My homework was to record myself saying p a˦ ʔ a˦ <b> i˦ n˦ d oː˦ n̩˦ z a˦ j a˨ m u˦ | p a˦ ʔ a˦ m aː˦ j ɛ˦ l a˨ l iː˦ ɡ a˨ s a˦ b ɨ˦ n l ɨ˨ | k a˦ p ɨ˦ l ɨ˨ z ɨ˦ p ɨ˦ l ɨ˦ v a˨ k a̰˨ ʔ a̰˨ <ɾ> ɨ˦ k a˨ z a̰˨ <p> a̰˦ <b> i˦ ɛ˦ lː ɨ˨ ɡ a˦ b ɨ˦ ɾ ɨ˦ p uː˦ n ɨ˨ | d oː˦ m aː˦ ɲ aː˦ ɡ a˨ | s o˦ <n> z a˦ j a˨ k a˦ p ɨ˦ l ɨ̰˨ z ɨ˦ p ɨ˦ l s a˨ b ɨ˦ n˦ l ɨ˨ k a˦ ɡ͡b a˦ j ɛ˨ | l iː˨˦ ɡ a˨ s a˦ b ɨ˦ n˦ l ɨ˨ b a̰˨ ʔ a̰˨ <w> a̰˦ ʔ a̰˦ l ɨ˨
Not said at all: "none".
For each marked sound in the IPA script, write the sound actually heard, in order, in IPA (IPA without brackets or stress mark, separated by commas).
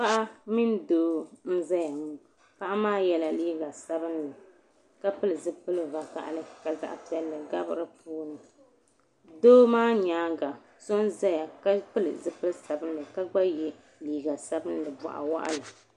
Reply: m, l, ʔ, p, n, w